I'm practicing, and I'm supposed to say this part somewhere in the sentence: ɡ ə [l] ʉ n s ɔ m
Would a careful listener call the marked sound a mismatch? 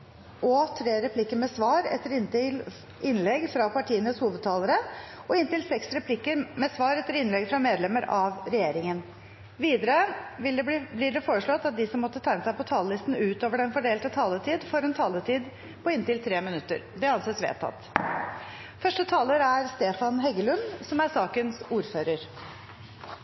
no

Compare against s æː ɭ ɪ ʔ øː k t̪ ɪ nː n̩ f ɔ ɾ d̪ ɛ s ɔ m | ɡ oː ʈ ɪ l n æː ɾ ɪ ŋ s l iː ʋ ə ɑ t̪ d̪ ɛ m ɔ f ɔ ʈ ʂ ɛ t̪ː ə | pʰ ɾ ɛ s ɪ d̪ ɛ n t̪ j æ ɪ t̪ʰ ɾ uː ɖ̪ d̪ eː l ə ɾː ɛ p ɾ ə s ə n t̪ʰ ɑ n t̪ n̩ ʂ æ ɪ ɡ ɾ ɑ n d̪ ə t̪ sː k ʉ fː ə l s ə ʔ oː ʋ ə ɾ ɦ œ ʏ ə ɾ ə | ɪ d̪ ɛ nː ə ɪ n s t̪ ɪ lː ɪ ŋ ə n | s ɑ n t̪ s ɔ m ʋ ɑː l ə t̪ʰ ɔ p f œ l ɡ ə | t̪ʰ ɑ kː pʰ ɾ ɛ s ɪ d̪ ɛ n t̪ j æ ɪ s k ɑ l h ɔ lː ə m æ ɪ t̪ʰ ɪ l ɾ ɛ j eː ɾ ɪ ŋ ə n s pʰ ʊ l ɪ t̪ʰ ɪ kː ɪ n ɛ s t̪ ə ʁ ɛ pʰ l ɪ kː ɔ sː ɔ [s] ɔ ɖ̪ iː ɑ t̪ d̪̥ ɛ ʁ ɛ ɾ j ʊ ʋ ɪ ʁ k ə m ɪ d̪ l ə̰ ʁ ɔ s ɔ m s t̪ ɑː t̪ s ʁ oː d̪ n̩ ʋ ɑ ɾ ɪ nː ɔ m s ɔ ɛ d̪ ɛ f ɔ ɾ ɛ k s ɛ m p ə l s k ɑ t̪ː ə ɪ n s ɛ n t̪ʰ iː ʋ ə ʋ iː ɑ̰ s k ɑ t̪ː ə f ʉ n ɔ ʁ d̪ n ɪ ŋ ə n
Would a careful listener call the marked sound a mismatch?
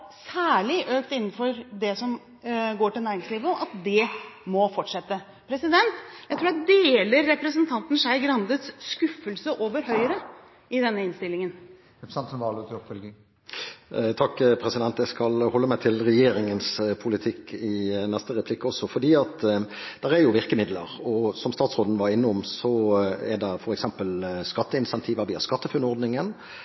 yes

